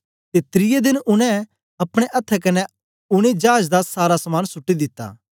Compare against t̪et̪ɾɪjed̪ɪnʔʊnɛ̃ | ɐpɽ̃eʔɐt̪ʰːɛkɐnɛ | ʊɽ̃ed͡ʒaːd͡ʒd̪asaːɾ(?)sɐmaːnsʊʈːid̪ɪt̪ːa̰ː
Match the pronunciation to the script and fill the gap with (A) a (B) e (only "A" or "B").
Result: A